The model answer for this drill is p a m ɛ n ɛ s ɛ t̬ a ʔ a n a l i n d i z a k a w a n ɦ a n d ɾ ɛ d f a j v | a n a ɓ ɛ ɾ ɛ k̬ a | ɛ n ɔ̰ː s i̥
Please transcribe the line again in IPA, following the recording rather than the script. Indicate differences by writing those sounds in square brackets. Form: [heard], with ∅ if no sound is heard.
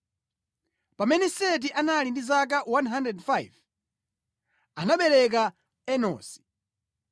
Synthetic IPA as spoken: p a m ɛ n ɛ s ɛ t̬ [i] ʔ a n a l i n d i z a k a w a n ɦ a n d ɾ ɛ d f a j v | a n a ɓ ɛ ɾ ɛ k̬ a | ɛ n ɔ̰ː s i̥